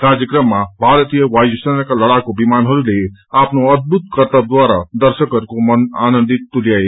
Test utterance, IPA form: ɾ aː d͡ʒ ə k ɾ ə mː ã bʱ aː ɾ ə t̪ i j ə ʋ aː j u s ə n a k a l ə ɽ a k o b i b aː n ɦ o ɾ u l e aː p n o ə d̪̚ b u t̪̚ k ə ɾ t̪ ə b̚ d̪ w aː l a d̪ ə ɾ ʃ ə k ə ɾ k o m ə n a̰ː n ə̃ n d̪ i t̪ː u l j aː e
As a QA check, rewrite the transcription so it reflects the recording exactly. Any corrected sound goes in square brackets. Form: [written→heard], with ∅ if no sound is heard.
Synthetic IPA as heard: ɾ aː d͡ʒ ə k ɾ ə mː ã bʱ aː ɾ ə t̪ i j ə ʋ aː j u s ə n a k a l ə ɽ a k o b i [b→m] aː n ɦ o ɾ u l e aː p n o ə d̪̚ b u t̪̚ k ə ɾ t̪ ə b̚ d̪ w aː [l→ɾ] a d̪ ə ɾ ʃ ə k ə ɾ k o m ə n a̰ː n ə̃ n d̪ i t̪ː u l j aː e